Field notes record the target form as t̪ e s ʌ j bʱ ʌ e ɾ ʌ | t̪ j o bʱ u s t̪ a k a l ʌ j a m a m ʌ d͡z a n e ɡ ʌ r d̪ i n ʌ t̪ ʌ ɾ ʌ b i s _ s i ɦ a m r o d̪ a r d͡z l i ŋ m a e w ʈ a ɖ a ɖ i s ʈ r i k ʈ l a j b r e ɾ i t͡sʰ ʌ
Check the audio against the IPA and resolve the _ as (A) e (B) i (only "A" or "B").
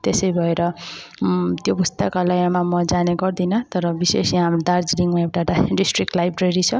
A